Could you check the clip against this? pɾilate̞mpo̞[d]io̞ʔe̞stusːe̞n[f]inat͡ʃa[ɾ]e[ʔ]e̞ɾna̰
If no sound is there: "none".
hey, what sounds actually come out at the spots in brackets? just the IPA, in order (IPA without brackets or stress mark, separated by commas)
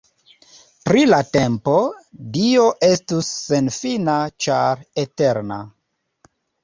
d, f, ɾ, t